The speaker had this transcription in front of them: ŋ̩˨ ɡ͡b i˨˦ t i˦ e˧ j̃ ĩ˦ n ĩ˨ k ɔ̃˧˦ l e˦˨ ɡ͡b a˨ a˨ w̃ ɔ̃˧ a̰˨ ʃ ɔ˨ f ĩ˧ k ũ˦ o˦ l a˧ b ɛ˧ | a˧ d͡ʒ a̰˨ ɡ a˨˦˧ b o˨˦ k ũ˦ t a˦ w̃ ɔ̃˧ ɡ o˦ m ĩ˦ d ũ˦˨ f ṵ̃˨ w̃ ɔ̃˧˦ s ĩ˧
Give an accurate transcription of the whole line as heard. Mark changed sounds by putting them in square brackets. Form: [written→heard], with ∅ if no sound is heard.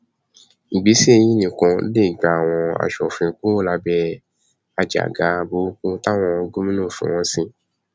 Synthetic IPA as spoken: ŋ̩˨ ɡ͡b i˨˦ [t→s] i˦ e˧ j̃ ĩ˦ n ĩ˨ k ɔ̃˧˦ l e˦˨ ɡ͡b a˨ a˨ w̃ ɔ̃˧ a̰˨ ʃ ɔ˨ f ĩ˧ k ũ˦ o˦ l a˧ b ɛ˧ | a˧ d͡ʒ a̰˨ ɡ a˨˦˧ b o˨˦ k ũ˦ t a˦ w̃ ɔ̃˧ ɡ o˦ m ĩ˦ [d→n] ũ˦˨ f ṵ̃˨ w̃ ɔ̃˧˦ s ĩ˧